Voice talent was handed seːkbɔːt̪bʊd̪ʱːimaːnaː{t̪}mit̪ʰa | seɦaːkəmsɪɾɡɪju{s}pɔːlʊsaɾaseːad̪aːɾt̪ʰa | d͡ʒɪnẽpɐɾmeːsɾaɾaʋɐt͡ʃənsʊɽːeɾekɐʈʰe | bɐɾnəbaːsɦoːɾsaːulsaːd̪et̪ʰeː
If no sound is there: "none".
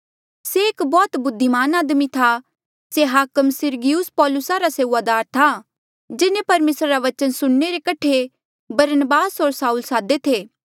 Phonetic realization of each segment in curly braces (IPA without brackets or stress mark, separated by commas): d̪, s